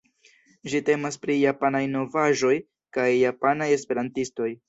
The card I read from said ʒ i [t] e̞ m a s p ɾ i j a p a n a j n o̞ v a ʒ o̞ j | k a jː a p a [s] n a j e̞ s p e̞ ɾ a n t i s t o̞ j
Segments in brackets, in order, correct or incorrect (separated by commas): correct, incorrect